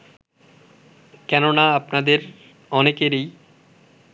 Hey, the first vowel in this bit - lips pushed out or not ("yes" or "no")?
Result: no